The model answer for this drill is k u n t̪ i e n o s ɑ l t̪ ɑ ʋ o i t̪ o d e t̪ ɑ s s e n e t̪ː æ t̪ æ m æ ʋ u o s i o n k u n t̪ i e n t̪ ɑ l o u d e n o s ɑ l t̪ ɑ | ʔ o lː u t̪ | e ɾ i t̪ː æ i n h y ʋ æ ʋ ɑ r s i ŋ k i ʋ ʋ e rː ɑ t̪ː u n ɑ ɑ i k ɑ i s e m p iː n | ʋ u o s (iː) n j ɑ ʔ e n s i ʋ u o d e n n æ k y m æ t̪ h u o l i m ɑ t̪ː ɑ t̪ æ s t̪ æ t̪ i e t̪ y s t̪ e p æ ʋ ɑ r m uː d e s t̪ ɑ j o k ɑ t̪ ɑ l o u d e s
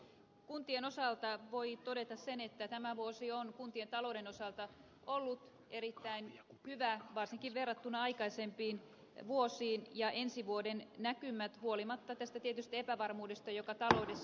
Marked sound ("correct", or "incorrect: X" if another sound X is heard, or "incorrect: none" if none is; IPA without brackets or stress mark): correct